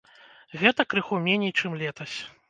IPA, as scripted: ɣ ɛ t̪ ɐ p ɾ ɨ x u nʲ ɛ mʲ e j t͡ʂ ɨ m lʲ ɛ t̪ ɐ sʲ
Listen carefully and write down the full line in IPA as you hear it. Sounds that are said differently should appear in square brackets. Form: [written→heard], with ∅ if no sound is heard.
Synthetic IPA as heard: ɣ ɛ t̪ ɐ [p→k] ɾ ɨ x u [nʲ→mʲ] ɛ [mʲ→nʲ] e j t͡ʂ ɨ m lʲ ɛ t̪ ɐ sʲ